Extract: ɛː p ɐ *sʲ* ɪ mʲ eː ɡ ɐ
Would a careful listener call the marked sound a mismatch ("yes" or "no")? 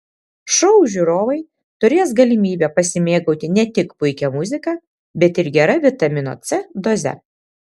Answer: no